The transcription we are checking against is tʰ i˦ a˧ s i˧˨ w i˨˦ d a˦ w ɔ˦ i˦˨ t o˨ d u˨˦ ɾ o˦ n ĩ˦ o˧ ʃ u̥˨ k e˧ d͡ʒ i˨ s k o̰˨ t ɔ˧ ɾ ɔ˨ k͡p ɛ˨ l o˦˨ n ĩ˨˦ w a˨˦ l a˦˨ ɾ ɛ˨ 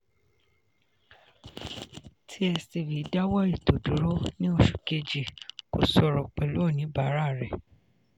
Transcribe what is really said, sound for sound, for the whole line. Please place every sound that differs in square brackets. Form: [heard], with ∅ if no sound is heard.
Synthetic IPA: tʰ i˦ [ɛ˧] s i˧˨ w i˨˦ d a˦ w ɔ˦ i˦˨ t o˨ d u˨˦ ɾ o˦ n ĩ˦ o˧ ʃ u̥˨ k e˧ d͡ʒ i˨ [∅] k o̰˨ [s] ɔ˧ ɾ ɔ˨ k͡p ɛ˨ l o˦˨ n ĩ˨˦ [b] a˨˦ [ɾ] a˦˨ ɾ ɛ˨